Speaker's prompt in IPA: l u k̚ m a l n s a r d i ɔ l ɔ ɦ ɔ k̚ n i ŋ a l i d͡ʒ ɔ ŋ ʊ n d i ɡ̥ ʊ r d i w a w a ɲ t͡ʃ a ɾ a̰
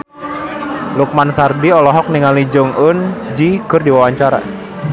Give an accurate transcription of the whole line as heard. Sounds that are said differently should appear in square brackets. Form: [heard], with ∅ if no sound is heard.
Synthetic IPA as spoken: l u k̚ m a [∅] n s a r d i ɔ l ɔ ɦ ɔ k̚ n i ŋ a l i d͡ʒ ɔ ŋ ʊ n [d͡ʒ] i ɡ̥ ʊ r d i w a w a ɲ t͡ʃ a ɾ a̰